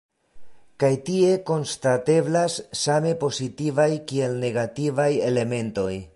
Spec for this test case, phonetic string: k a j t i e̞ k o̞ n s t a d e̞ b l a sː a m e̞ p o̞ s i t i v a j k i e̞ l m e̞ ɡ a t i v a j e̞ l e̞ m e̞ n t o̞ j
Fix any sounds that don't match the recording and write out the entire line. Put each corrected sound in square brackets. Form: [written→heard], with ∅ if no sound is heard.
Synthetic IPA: k a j t i e̞ k o̞ n s t a [d→t] e̞ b l a sː a m e̞ p o̞ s i t i v a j k i e̞ l [m→n] e̞ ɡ a t i v a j e̞ l e̞ m e̞ n t o̞ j